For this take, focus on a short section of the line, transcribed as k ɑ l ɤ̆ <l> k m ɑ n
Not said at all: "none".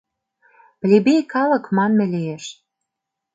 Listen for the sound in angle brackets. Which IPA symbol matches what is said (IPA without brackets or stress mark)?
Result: none